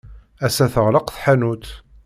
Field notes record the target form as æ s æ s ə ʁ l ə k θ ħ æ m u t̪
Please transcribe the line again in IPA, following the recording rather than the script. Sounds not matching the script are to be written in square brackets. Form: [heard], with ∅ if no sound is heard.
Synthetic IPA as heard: æ s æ [θ] ə ʁ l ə [q] θ ħ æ [n] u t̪

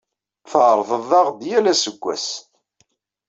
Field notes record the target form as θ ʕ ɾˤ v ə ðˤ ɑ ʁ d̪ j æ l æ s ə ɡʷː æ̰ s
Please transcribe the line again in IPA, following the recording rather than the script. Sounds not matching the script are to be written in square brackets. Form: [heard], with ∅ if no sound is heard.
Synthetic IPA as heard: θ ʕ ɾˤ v ə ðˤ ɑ ʁ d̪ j æ l æ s ə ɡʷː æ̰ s

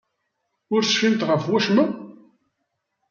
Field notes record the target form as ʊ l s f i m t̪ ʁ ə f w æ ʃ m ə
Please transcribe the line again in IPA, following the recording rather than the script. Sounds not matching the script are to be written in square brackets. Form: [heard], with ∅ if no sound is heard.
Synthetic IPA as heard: ʊ [ɾ] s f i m t̪ ʁ ə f w æ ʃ m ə

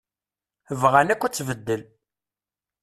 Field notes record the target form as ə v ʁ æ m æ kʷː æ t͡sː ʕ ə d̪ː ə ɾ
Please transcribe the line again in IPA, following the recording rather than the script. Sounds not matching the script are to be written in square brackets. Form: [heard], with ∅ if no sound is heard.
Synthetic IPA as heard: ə v ʁ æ [n] æ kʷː æ t͡sː [v] ə d̪ː ə [l]

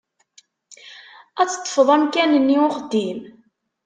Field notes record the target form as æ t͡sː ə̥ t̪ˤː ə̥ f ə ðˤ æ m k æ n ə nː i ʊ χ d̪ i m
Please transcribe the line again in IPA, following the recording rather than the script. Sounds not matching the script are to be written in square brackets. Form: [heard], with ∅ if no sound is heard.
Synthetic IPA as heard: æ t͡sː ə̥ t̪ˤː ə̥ f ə ðˤ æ m k æ n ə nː i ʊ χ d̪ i m

